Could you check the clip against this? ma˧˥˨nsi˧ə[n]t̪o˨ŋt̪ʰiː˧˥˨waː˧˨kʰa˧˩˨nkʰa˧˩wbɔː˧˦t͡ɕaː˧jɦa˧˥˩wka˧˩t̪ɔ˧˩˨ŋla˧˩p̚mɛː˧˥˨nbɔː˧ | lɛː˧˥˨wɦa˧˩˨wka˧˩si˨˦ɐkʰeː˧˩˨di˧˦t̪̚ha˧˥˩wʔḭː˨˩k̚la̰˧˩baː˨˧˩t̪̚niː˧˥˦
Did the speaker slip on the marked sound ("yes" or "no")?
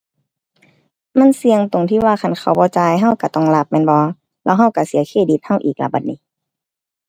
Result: yes